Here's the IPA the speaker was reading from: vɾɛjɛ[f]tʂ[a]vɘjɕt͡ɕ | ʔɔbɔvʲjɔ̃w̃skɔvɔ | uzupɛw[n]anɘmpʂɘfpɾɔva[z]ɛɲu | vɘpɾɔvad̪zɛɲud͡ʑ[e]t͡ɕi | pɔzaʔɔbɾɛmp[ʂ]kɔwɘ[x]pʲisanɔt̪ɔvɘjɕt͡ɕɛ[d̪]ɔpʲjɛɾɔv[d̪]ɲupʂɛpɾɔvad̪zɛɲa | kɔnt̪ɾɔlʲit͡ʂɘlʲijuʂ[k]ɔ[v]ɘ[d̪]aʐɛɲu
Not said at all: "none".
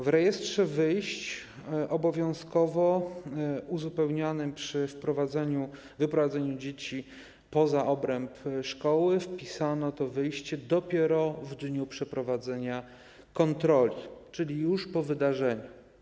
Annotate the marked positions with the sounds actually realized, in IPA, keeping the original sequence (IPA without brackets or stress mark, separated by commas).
s, ɛ, ɲ, z, e, ʂ, f, d̪, d̪, p, v, d̪